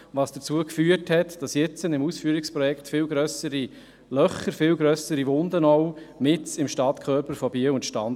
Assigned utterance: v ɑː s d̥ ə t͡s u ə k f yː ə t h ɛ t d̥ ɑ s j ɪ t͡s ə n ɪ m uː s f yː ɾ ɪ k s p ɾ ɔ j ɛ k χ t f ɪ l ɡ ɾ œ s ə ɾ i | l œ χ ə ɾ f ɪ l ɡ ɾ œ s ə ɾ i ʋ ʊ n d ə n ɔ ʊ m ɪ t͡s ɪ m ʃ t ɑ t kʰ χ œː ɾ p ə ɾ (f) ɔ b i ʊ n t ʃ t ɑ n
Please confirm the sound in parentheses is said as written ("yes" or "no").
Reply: yes